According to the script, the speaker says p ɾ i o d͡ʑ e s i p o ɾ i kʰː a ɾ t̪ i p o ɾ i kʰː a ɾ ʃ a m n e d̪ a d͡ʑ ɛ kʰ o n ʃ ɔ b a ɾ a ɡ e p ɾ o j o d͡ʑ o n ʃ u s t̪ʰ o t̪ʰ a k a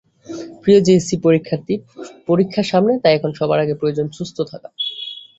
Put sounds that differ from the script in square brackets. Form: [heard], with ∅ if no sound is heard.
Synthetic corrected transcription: p ɾ i o d͡ʑ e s i p o ɾ i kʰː a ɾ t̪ i p o ɾ i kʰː a ɾ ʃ a m n e [t̪] a [∅] ɛ kʰ o n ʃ ɔ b a ɾ a ɡ e p ɾ o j o d͡ʑ o n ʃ u s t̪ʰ o t̪ʰ a k a